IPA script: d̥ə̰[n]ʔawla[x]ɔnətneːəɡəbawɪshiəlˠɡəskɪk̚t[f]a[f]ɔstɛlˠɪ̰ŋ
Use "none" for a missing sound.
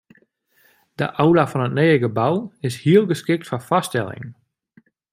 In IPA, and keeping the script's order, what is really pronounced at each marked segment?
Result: none, f, f, f

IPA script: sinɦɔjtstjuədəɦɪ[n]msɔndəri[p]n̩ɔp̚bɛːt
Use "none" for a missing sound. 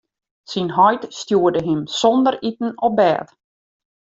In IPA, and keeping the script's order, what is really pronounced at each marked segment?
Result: none, t

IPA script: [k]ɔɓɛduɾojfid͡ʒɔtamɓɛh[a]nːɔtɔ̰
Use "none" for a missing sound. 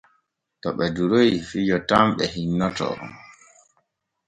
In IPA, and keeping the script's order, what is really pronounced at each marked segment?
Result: t, i

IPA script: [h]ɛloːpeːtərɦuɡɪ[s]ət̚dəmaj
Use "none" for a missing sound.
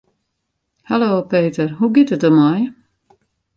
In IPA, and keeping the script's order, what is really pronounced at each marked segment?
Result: h, t

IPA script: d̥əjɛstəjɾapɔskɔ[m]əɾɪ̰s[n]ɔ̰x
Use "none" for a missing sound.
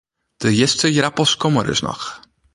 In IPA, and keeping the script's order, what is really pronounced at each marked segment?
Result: m, n

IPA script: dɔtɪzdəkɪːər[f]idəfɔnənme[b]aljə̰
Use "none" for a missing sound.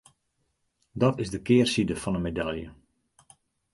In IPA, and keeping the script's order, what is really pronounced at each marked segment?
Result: s, d

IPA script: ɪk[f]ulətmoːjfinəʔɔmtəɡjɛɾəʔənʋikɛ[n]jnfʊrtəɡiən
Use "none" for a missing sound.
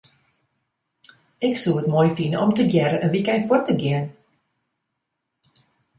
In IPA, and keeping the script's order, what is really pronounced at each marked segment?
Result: s, none

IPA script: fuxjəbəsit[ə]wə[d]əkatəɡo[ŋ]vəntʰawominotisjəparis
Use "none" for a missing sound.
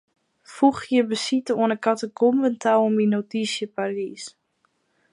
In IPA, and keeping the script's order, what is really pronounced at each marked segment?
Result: ə, n, m

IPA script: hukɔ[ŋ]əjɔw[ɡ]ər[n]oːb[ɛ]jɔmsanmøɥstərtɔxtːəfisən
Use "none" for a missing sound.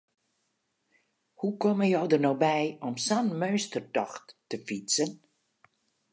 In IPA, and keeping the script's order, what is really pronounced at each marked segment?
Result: m, d, n, ɛ

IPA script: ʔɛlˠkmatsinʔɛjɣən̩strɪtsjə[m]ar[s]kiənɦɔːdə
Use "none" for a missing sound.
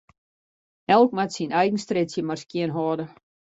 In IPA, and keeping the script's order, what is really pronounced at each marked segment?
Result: m, s

